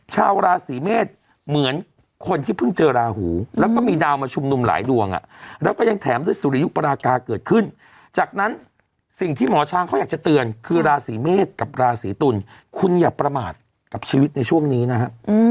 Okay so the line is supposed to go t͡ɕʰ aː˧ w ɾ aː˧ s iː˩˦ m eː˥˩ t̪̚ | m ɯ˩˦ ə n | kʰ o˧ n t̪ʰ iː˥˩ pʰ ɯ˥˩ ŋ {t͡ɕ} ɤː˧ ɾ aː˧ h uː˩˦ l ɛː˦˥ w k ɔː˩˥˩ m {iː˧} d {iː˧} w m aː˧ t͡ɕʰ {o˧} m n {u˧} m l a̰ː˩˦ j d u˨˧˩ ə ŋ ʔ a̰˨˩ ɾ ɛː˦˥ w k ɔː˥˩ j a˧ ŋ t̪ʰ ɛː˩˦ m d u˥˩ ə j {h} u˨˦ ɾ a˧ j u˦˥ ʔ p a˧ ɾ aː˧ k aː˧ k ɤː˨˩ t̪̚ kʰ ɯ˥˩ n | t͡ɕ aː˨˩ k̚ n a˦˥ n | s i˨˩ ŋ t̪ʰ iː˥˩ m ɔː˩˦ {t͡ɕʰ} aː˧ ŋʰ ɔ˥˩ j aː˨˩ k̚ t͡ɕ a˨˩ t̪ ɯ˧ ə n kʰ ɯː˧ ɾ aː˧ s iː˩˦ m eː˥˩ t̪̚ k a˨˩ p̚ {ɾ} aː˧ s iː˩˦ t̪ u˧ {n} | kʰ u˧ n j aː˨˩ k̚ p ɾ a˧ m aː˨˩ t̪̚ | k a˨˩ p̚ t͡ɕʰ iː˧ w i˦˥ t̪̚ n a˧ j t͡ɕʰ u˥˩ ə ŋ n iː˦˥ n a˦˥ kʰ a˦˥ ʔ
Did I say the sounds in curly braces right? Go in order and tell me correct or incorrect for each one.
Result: correct, correct, incorrect: aː˧, incorrect: u˧, correct, incorrect: s, correct, correct, correct

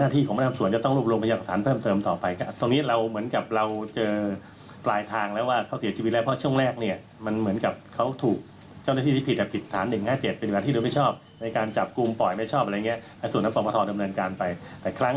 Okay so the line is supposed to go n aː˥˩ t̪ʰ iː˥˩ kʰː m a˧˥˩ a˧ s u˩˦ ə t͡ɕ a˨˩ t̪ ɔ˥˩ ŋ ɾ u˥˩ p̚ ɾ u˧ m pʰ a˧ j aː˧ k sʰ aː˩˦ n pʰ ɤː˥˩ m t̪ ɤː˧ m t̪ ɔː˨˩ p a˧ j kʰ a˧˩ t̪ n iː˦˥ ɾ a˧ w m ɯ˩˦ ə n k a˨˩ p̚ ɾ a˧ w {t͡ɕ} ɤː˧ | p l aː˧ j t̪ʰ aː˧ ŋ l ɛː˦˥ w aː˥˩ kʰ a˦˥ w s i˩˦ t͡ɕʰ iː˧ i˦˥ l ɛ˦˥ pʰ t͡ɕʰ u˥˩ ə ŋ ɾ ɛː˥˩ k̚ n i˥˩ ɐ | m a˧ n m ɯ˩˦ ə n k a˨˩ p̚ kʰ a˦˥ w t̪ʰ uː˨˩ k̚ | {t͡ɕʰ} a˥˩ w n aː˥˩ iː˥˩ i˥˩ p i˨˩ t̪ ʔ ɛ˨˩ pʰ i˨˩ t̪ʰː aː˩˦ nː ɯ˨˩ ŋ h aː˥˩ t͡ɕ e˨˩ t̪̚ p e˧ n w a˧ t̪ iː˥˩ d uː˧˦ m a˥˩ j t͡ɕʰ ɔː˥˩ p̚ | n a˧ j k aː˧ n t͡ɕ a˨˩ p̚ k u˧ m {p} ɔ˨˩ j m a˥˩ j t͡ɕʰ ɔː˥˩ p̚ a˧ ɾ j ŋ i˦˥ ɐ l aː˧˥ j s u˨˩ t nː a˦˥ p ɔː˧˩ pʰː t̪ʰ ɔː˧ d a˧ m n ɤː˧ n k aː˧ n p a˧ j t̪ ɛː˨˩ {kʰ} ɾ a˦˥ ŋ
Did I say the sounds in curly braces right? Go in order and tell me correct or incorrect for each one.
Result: correct, incorrect: t͡ɕ, correct, correct

